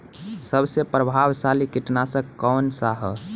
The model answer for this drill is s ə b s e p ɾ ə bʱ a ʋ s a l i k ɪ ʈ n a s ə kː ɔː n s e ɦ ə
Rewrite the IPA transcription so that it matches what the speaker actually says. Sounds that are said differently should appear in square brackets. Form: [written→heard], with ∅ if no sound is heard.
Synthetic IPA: s ə b s e p ɾ ə bʱ a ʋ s a l i k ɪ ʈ n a s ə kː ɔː n s [e→a] ɦ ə